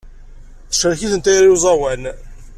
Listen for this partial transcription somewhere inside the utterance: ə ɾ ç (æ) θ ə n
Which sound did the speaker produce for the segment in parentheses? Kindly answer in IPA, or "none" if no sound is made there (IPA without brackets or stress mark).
i